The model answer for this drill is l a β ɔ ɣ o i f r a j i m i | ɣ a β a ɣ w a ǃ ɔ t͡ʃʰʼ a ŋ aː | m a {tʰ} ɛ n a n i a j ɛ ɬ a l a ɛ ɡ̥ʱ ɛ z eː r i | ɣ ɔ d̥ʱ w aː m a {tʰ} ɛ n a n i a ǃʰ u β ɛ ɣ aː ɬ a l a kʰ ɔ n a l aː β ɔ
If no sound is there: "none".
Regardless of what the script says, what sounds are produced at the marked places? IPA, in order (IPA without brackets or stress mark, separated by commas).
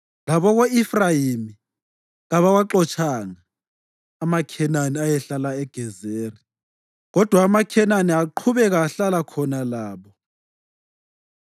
kʰ, kʰ